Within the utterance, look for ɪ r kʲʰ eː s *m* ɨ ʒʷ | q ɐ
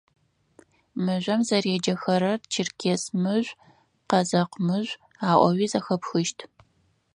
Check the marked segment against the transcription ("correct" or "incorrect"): correct